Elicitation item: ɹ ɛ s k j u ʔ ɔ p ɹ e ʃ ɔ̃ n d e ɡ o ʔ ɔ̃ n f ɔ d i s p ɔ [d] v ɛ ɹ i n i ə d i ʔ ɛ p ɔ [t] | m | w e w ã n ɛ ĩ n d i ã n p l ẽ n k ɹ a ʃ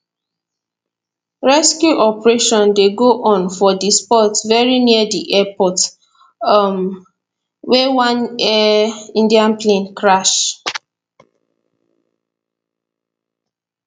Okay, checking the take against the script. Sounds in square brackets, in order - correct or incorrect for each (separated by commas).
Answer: incorrect, correct